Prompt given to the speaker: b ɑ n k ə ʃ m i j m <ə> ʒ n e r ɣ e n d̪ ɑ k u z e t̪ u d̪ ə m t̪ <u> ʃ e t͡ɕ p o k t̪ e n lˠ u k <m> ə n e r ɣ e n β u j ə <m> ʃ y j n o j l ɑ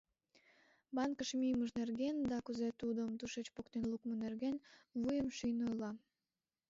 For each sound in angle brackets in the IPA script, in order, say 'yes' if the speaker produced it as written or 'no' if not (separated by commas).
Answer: yes, yes, yes, yes